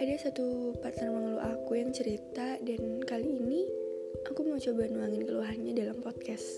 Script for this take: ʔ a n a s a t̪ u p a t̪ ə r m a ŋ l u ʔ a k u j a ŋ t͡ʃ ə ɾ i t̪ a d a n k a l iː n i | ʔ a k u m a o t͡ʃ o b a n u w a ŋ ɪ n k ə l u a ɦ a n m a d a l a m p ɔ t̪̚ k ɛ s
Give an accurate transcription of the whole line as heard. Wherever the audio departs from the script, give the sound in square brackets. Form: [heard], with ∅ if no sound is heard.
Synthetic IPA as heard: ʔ a [d] a s a t̪ u p a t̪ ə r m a ŋ l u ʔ a k u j a ŋ t͡ʃ ə ɾ i t̪ a d a n k a l iː n i | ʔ a k u m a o t͡ʃ o b a n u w a ŋ ɪ n k ə l u a ɦ a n [ɲ] a d a l a m p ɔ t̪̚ k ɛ s